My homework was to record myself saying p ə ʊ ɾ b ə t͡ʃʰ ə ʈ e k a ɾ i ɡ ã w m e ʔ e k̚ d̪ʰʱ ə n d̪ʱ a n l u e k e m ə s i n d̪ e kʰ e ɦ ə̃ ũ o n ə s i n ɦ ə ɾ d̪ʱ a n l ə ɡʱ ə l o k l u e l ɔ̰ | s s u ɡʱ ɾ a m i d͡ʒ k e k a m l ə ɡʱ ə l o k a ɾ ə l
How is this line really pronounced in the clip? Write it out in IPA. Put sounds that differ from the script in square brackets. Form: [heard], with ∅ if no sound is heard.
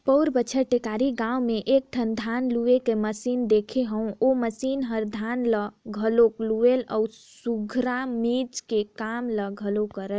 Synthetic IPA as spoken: p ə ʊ ɾ b ə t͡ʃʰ ə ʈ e k a ɾ i ɡ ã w m e ʔ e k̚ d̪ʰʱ ə n d̪ʱ a n l u e k e m ə s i n d̪ e kʰ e ɦ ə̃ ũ o [m] ə s i n ɦ ə ɾ d̪ʱ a n l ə ɡʱ ə l o k l u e l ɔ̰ | s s u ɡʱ ɾ a m i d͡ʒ k e k a m l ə ɡʱ ə l o k [ə] ɾ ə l